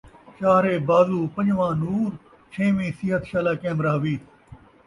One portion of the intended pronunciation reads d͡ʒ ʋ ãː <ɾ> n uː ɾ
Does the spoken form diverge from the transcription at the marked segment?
yes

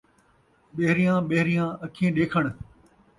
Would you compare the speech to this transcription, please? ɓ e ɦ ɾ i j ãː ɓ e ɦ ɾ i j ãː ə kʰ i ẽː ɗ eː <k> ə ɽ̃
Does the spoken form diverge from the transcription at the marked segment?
yes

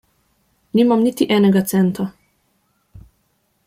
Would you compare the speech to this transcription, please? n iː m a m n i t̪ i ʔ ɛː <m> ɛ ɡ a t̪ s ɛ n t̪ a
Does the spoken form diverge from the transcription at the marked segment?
yes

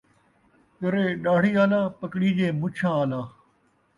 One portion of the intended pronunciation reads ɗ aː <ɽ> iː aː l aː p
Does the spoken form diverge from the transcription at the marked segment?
no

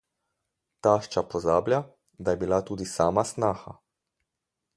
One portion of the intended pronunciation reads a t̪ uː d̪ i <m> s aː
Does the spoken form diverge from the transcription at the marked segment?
yes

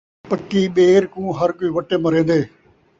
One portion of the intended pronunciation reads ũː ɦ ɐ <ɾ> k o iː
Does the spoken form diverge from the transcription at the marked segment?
no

